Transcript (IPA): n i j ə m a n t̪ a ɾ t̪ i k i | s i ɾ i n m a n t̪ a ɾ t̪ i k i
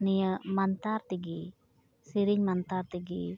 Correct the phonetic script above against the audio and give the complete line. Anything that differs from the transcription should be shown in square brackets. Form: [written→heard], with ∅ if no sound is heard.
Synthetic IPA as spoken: n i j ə m a n t̪ a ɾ t̪ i [k→ɡ] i | s i ɾ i [n→ɲ] m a n t̪ a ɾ t̪ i [k→ɡ] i